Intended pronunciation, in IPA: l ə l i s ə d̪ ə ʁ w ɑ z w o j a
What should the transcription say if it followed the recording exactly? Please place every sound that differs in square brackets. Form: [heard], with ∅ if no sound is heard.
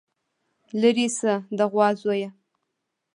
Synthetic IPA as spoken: l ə [ɾ] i s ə d̪ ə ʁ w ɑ z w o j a